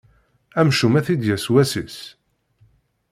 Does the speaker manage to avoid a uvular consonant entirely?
yes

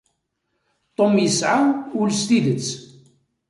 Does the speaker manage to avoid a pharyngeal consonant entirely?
no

